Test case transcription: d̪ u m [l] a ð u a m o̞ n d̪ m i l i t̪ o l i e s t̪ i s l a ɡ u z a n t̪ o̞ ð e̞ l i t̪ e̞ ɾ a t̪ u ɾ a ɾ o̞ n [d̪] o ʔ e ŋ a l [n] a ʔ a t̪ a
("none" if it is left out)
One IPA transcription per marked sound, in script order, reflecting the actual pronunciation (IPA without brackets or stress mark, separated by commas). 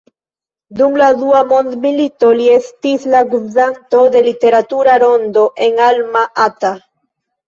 l, d̪, m